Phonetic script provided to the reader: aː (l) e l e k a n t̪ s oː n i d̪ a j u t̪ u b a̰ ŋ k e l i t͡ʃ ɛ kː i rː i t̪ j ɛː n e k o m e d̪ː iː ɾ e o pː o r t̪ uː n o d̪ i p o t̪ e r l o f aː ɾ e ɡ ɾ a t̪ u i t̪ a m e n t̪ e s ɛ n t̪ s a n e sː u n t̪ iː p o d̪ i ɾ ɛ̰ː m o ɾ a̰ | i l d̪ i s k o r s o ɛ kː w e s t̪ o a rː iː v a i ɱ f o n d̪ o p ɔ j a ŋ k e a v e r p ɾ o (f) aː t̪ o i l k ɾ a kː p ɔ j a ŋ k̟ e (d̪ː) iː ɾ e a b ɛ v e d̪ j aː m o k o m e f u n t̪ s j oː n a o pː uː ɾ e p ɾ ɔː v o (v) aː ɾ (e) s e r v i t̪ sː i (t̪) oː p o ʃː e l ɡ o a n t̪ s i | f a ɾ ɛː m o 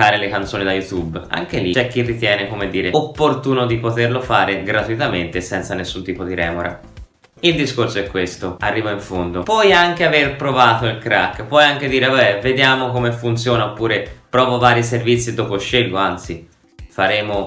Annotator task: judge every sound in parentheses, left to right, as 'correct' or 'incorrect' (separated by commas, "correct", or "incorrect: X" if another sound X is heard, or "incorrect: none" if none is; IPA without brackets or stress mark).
incorrect: ɾ, incorrect: v, incorrect: d̪, correct, incorrect: i, incorrect: d̪